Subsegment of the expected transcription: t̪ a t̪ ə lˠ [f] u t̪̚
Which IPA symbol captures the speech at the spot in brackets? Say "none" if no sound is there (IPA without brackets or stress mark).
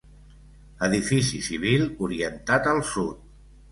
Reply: s